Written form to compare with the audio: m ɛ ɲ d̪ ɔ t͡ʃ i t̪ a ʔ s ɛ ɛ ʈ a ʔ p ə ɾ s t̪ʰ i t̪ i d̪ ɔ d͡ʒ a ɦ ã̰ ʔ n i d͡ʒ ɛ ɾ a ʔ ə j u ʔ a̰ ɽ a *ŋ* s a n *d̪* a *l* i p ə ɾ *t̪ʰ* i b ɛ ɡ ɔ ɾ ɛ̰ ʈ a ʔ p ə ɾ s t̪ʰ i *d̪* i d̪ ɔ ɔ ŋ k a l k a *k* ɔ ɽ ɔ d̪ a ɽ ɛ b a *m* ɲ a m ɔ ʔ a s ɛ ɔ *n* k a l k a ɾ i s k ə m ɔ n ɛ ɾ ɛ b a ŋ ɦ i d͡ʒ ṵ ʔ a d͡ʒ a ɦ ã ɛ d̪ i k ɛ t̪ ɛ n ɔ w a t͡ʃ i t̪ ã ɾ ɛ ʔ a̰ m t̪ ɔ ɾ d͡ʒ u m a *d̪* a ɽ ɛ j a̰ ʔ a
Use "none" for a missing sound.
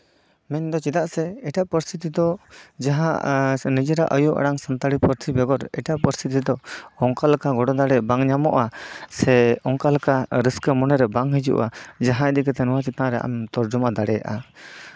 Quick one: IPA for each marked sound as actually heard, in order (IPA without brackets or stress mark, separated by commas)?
ŋ, t̪, ɽ, t̪ʰ, t̪, ɡ, ŋ, ŋ, d̪